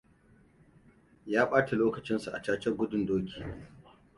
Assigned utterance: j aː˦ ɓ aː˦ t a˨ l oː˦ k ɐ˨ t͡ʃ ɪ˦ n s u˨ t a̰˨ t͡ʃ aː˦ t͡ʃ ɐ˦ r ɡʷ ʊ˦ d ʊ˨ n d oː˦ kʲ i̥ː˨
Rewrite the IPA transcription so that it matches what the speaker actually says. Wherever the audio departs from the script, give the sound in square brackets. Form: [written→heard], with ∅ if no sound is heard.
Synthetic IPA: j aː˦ ɓ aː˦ t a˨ l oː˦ k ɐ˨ t͡ʃ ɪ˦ n s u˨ [t→ʔ] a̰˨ t͡ʃ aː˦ t͡ʃ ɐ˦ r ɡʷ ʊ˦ d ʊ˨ n d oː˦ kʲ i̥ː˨